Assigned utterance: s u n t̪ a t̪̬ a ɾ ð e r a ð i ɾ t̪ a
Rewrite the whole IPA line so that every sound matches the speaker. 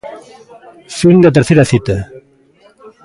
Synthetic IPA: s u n d̪ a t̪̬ e ɾ θ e ɾ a θ i t̪ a